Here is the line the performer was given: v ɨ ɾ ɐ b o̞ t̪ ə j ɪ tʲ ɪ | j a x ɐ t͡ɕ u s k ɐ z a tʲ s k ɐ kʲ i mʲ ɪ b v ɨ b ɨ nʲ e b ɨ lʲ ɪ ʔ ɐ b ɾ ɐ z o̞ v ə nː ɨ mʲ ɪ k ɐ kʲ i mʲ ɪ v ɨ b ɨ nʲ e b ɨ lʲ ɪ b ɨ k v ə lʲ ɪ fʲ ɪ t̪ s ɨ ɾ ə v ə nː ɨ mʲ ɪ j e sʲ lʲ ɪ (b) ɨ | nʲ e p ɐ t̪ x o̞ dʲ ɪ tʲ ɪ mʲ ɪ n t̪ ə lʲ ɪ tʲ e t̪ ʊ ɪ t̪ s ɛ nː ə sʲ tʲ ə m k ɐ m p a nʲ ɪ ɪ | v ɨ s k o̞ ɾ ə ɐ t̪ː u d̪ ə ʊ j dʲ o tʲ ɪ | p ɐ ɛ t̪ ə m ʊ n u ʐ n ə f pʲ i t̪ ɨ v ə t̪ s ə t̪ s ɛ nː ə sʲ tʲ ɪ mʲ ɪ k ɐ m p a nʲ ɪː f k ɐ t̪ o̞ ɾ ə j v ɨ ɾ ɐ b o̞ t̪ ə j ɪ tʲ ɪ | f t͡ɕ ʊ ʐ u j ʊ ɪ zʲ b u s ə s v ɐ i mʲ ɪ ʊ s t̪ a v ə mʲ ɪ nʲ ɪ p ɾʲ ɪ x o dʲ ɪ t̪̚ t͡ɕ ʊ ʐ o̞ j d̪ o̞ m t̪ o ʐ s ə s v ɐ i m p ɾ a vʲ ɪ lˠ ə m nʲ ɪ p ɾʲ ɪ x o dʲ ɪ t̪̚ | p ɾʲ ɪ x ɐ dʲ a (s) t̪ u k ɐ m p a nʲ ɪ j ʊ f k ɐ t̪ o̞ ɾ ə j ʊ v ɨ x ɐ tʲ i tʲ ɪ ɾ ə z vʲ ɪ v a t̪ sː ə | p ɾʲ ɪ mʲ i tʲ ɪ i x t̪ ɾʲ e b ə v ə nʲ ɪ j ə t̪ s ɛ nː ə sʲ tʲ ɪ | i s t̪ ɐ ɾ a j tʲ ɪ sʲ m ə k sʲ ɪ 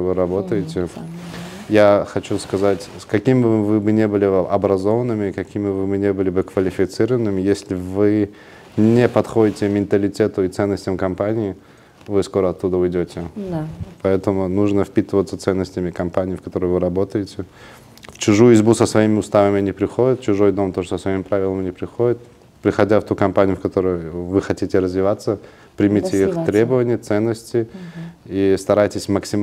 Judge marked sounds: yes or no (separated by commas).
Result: no, no